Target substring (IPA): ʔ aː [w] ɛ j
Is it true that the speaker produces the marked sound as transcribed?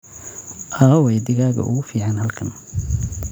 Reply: yes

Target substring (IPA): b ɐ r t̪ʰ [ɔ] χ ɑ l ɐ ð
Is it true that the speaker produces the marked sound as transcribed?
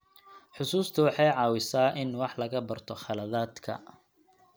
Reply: yes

